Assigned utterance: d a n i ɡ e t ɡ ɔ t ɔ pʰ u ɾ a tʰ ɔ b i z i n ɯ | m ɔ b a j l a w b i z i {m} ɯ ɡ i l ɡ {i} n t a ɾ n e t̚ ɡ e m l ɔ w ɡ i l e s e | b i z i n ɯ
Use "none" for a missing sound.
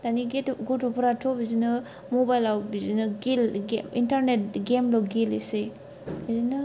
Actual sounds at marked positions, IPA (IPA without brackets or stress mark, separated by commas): n, i